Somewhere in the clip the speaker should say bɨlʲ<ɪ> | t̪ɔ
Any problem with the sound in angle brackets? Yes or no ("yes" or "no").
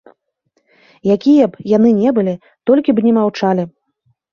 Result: yes